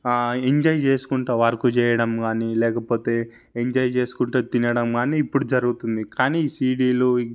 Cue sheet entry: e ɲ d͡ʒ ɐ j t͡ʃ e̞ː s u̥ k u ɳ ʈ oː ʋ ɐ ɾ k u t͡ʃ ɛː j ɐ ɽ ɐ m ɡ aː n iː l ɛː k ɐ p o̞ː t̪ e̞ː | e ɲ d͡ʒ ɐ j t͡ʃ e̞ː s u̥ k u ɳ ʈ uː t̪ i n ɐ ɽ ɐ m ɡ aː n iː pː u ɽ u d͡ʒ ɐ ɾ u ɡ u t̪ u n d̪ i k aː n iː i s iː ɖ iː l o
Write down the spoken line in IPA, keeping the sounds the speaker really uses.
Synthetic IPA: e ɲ d͡ʒ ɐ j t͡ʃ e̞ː s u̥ k u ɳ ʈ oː ʋ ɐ ɾ k u t͡ʃ ɛː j ɐ ɽ ɐ m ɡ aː n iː l ɛː k ɐ p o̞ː t̪ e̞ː | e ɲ d͡ʒ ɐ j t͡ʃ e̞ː s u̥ k u ɳ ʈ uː t̪ i n ɐ ɽ ɐ m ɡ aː n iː pː u ɽ u d͡ʒ ɐ ɾ u ɡ u t̪ u n d̪ i k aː n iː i s iː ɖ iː l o

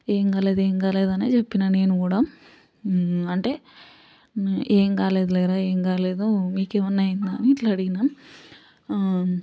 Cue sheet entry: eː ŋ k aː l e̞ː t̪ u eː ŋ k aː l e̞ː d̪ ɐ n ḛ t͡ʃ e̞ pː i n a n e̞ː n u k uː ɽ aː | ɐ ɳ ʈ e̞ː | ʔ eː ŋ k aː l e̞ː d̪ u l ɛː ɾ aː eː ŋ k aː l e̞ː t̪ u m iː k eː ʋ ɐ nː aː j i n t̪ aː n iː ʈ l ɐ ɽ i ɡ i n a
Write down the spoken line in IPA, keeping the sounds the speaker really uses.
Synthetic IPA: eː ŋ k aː l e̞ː d̪ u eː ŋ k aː l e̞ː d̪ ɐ n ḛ t͡ʃ e̞ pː i n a n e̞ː n u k uː ɽ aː | ɐ ɳ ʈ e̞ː | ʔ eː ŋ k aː l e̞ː d̪ u l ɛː ɾ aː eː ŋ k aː l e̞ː d̪ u m iː k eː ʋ ɐ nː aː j i n d̪ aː n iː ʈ l ɐ ɽ i ɡ i n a

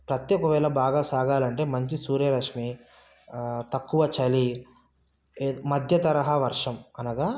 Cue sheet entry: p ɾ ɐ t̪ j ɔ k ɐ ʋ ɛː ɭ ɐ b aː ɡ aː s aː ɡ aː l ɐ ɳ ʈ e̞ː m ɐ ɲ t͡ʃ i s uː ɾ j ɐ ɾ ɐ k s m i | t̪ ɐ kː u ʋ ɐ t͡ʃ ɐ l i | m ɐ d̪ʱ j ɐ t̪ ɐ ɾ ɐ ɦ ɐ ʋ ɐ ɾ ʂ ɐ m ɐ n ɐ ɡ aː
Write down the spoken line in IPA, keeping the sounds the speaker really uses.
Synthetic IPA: p ɾ ɐ t̪ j ɔ k ɐ ʋ ɛː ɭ ɐ b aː ɡ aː s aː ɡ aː l ɐ ɳ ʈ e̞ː m ɐ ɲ t͡ʃ i s uː ɾ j ɐ ɾ ɐ k ʂ m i | t̪ ɐ kː u ʋ ɐ t͡ʃ ɐ l i | m ɐ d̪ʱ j ɐ t̪ ɐ ɾ ɐ ɦ ɐ ʋ ɐ ɾ ʂ ɐ m ɐ n ɐ ɡ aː

